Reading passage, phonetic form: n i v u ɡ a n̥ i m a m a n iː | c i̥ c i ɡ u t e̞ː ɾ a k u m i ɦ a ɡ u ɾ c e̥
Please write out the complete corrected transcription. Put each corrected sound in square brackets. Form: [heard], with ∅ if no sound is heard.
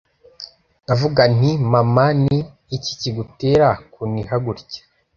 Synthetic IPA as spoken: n [a] v u ɡ a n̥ i m a m a n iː | c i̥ c i ɡ u t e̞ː ɾ a k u [n] i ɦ a ɡ u ɾ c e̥